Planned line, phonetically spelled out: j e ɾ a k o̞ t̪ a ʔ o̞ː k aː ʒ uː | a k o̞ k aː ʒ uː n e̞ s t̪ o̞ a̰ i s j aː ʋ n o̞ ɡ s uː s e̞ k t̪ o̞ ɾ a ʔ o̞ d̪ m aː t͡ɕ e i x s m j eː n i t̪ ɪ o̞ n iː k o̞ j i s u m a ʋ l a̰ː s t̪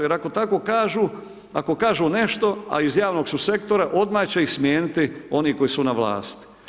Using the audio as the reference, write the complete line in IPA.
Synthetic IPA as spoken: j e ɾ a k o̞ t̪ a k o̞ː k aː ʒ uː | a k o̞ k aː ʒ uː n e̞ ʃ t̪ o̞ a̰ i z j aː ʋ n o̞ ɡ s u s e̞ k t̪ o̞ ɾ a ʔ o̞ d̪ m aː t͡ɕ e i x s m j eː n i t̪ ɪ o̞ n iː k o̞ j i s u n a ʋ l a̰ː s t̪